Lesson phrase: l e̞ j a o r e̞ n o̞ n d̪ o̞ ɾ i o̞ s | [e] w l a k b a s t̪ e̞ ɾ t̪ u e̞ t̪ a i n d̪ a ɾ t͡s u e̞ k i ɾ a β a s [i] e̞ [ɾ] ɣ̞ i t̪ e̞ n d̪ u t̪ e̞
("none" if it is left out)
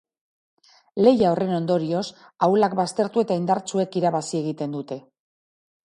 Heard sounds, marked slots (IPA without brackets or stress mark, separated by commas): a, i, none